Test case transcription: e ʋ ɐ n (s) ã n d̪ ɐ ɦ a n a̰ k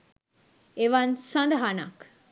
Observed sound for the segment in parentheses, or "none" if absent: s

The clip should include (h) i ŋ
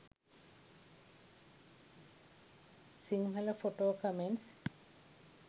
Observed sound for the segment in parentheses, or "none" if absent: s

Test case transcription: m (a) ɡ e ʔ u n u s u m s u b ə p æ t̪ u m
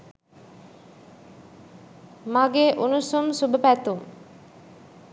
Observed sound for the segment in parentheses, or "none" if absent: a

